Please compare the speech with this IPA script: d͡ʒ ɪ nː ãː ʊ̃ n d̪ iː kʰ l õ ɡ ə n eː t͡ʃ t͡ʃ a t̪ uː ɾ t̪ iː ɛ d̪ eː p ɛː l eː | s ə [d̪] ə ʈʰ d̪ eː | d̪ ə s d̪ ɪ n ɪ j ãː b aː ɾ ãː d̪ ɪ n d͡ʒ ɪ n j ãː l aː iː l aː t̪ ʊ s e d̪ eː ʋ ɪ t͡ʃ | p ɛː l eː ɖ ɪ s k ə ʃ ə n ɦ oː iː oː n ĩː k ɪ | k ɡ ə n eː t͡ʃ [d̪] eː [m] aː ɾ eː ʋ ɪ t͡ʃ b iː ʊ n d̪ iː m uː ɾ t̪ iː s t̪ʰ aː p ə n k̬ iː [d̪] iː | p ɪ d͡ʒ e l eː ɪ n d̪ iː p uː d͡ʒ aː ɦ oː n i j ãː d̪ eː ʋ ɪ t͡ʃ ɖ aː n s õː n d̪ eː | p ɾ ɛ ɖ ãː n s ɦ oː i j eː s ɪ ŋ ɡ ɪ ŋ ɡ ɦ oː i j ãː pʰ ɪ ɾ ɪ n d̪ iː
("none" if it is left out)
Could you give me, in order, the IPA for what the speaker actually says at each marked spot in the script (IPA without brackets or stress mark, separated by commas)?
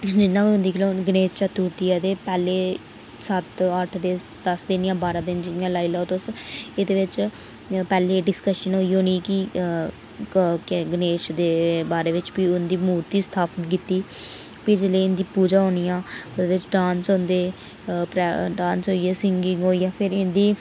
t̪, d̪, b, t̪